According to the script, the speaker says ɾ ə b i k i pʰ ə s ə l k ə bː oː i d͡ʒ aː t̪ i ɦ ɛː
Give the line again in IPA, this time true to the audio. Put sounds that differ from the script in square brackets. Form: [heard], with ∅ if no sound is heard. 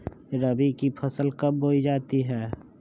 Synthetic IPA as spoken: ɾ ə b i k i pʰ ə s ə l k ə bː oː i d͡ʒ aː t̪ i ɦ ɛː